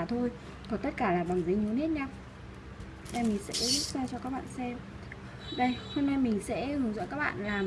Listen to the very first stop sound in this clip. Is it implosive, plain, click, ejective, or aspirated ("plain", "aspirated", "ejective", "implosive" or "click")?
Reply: aspirated